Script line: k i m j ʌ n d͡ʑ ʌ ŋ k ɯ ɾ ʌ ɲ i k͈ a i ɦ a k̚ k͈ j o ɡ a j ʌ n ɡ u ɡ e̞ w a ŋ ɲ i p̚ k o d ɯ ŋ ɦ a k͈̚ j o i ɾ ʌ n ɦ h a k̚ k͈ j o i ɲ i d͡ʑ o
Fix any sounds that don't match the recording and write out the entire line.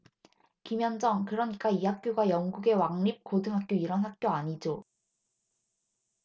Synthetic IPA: k i m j ʌ n d͡ʑ ʌ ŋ k ɯ ɾ ʌ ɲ i k͈ a i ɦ a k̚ k͈ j o ɡ a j ʌ ŋ ɡ u ɡ e̞ w a ŋ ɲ i p̚ k o d ɯ ŋ ɦ a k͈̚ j o i ɾ ʌ n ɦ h a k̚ k͈ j o a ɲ i d͡ʑ o